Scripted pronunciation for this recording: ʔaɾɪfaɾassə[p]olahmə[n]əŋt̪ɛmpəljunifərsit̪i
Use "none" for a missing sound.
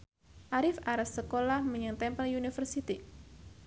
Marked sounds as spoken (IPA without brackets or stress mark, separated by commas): k, ɲ